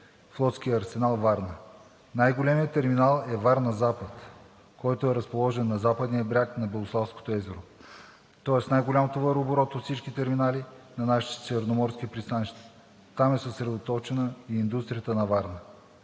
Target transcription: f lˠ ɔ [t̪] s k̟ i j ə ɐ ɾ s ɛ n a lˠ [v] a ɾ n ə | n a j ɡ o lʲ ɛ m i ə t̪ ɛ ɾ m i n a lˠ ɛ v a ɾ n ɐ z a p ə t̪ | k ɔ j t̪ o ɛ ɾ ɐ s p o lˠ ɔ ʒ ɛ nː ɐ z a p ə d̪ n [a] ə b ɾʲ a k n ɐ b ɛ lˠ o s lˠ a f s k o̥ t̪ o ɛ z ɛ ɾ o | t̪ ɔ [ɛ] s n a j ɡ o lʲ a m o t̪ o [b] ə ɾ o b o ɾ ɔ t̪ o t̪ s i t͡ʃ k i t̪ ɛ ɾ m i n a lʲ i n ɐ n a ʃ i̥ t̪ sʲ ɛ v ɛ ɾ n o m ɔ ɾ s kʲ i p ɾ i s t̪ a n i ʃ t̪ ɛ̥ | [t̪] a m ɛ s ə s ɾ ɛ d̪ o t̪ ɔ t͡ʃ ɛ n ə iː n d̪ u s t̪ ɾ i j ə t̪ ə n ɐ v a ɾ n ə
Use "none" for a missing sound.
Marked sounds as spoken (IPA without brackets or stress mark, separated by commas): t̪, v, i, ɛ, v, t̪